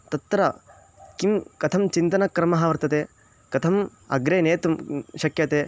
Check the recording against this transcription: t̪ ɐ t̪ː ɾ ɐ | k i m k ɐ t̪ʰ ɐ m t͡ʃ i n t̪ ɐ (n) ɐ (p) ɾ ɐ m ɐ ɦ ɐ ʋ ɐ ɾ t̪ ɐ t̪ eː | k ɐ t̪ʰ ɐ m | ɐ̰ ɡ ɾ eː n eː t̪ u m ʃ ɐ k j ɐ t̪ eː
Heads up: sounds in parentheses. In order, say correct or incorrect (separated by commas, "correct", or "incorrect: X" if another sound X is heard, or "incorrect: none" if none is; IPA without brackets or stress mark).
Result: correct, incorrect: k